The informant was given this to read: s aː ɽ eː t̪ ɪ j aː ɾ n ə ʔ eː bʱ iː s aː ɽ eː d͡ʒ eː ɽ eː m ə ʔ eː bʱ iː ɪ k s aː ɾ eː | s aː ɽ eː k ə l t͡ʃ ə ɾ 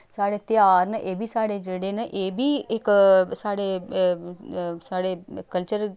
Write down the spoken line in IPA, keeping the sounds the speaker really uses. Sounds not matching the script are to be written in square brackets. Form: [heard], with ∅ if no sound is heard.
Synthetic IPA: s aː ɽ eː t̪ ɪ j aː ɾ n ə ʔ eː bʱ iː s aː ɽ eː d͡ʒ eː ɽ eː [n] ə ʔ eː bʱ iː ɪ k s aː [ɽ] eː | s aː ɽ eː k ə l t͡ʃ ə ɾ